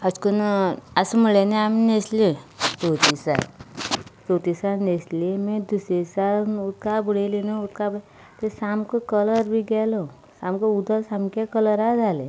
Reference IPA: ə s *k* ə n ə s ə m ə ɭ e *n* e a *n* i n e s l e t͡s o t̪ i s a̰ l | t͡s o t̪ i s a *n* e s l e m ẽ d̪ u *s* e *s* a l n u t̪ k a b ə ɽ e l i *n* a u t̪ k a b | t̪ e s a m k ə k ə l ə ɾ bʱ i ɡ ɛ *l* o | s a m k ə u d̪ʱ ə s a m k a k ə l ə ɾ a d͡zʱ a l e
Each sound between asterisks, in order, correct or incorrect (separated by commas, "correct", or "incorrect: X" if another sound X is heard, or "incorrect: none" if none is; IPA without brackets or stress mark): correct, correct, incorrect: m, correct, correct, correct, correct, correct